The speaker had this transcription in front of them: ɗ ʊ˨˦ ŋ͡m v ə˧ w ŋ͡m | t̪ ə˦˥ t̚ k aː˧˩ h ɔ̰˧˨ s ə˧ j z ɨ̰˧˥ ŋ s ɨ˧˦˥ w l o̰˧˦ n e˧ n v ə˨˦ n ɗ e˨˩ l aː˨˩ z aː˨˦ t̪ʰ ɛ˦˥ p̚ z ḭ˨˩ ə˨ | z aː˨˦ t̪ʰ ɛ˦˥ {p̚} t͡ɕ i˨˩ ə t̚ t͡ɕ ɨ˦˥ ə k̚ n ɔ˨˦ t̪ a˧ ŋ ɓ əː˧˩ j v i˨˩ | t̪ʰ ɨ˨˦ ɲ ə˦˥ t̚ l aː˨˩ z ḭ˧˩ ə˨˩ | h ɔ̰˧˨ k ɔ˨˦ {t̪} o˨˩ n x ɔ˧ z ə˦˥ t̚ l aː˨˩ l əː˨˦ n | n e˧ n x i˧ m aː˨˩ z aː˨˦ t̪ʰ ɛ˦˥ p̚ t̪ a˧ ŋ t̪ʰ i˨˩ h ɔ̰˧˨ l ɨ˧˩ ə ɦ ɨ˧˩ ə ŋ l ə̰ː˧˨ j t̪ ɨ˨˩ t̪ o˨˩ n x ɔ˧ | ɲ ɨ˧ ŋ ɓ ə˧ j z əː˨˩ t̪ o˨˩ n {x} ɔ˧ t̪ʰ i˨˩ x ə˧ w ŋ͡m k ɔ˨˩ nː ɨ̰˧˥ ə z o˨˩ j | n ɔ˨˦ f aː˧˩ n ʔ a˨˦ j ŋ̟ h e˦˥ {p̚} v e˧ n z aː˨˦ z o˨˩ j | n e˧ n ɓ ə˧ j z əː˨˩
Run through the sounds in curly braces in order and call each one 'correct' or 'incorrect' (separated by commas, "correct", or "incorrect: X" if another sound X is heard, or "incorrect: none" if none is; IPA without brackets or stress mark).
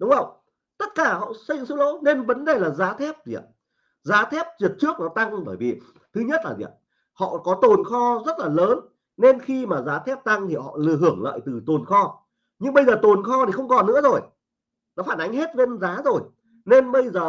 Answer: correct, correct, correct, incorrect: t̚